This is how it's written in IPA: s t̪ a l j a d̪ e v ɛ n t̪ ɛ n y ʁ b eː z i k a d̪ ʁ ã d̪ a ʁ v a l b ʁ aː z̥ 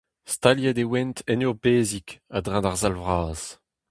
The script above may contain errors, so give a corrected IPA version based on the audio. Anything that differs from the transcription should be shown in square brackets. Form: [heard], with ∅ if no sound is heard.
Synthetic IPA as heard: s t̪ a l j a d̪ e [w] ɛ n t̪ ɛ n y ʁ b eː z i k a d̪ ʁ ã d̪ a ʁ [z] a l [v] ʁ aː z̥